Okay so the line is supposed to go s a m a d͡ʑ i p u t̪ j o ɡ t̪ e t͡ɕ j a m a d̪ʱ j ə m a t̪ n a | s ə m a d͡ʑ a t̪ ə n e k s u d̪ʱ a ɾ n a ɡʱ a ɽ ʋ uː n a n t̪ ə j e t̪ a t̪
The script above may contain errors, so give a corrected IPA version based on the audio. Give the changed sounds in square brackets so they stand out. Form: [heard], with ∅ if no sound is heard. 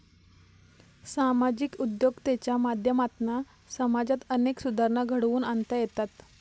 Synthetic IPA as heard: s a m a d͡ʑ i [k] u [d̪] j o ɡ t̪ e t͡ɕ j a m a d̪ʱ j ə m a t̪ n a | s ə m a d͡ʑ a t̪ ə n e k s u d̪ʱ a ɾ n a ɡʱ [ə] ɽ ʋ uː n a n t̪ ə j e t̪ a t̪